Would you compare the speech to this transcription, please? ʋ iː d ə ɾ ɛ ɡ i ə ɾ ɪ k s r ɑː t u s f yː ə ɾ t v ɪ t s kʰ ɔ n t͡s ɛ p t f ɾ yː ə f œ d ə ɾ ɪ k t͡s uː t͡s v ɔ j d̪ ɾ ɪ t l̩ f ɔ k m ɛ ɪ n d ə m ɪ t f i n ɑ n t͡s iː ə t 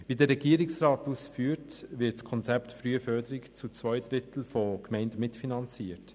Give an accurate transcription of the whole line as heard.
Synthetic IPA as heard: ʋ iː d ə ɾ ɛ ɡ i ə ɾ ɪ k s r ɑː t u s f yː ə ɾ t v ɪ t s kʰ ɔ n t͡s ɛ p t f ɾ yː ə f œ d ə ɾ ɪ k t͡s u t͡s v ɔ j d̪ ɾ ɪ t l̩ f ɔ k m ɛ ɪ n d ə m ɪ t f i n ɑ n t͡s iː ə t